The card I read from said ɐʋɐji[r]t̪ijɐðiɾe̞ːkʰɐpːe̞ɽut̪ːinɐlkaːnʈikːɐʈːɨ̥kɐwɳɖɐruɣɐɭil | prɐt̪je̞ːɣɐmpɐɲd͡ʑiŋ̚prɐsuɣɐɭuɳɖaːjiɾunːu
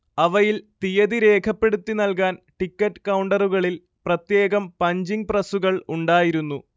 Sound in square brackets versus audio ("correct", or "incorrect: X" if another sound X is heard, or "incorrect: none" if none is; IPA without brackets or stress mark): incorrect: l